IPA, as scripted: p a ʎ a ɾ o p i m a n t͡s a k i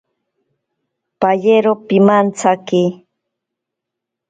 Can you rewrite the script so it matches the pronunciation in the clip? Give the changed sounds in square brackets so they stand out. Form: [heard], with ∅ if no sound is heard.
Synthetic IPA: p a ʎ [e] ɾ o p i m a n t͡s a k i

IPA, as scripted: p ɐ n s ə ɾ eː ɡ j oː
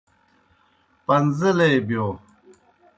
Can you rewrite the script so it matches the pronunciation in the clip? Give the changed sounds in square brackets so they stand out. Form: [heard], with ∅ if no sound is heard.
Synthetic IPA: p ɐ n [z] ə [l] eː [b] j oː

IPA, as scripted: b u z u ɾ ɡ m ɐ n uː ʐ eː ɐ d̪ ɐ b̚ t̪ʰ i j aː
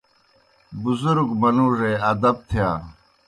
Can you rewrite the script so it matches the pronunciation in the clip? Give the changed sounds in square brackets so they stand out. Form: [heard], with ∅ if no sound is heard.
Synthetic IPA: b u z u ɾ ɡ m ɐ n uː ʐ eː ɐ d̪ ɐ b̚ t̪ʰ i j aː

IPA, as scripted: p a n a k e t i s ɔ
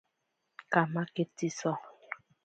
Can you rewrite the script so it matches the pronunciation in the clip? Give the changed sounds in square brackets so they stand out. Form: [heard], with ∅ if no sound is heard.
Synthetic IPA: [k] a [m] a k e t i s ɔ

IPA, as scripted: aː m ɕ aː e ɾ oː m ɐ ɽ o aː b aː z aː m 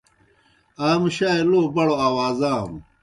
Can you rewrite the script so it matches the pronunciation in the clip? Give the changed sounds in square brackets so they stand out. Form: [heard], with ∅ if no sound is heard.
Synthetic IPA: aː m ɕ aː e [l] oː [b] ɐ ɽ o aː [w] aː z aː m

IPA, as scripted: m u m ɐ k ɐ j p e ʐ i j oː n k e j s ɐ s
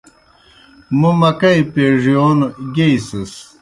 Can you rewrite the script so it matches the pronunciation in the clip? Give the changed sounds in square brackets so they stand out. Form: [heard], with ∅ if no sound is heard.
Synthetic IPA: m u m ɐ k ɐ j p e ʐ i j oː n [ɡ] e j s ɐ s

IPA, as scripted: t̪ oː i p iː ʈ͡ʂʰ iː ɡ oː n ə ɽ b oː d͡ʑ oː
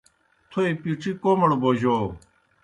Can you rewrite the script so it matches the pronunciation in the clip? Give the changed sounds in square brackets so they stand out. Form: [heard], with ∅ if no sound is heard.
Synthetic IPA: [t̪ʰ] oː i p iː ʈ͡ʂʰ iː [k] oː [m] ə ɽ b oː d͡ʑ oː

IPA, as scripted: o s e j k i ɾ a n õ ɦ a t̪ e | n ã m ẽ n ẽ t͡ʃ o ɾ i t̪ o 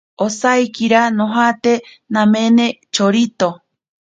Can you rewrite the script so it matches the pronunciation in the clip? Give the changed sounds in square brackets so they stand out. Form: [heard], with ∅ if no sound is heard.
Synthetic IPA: o s [a] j k i ɾ a n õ ɦ a t̪ e | n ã m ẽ n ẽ t͡ʃ o ɾ i t̪ o

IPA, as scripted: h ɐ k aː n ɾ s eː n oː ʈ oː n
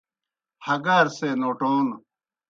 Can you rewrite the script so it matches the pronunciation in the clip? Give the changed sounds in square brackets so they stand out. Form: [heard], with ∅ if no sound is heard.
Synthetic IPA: h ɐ [ɡ] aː [∅] ɾ s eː n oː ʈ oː n

